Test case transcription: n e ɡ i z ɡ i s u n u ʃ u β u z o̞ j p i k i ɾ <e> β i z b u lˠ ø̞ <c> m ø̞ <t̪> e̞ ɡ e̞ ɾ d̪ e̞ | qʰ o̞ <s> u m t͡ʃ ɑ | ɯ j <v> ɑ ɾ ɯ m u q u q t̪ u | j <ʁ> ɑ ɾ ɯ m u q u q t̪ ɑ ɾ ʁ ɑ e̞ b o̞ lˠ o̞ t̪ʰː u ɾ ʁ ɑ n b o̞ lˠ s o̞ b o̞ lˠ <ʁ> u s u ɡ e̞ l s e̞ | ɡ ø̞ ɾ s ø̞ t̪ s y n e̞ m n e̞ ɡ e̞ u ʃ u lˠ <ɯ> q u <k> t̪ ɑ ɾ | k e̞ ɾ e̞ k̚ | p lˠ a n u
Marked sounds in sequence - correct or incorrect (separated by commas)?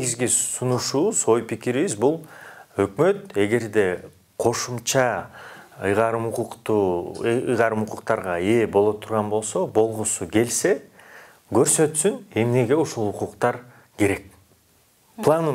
incorrect, incorrect, correct, incorrect, incorrect, correct, correct, incorrect, incorrect